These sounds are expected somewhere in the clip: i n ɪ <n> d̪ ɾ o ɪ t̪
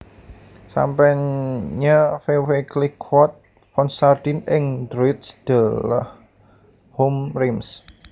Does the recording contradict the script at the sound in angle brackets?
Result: yes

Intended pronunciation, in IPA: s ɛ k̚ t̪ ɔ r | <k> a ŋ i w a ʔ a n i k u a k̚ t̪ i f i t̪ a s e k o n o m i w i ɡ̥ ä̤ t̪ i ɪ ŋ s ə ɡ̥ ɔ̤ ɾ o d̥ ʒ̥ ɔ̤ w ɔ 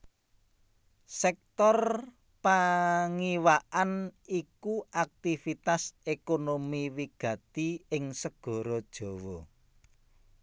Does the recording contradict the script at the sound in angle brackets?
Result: yes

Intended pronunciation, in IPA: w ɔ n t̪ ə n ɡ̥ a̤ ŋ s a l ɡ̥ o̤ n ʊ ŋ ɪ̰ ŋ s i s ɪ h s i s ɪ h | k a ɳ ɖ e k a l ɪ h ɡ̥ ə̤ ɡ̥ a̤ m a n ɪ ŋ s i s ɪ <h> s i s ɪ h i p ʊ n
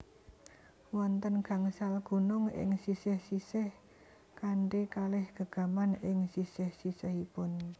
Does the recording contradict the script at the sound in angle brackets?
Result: no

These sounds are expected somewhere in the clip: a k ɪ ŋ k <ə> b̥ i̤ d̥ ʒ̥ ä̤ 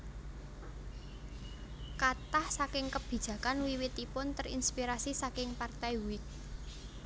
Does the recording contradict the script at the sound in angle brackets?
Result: no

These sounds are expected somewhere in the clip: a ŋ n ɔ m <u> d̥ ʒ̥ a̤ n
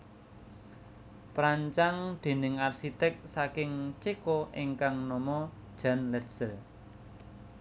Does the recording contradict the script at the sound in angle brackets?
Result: yes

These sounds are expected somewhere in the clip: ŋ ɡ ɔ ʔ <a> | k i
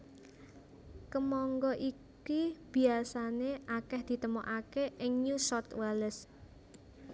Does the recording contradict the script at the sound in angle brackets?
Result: yes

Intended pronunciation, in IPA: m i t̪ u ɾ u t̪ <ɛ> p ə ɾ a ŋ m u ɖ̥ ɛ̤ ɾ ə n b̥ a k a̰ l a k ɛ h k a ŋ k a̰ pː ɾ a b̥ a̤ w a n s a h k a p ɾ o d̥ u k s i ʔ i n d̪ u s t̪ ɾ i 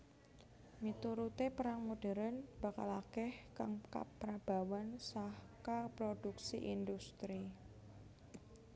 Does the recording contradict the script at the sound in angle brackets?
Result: yes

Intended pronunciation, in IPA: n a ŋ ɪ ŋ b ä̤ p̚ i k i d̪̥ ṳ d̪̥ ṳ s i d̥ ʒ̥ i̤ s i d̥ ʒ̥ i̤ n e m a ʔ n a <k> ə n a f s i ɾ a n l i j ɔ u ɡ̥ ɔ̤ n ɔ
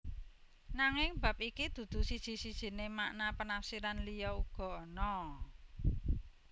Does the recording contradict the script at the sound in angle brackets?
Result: yes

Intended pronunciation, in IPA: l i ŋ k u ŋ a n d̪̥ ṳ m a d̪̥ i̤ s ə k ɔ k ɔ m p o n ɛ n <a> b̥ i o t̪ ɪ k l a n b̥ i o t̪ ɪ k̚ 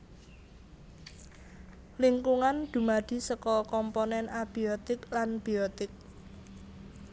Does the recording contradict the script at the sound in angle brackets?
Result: no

